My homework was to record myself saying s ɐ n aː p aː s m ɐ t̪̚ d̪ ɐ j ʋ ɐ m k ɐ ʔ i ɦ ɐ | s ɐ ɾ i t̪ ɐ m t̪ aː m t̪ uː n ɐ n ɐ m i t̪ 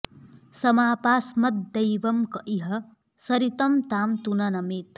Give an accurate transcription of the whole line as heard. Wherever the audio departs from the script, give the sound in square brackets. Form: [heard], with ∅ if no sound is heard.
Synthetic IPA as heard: s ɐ [m] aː p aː s m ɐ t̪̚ d̪ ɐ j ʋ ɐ m k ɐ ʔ i ɦ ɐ | s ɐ ɾ i t̪ ɐ m t̪ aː m t̪ [u] n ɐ n ɐ m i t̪